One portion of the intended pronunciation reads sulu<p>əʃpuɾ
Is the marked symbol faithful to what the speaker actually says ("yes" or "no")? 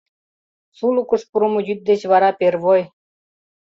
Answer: no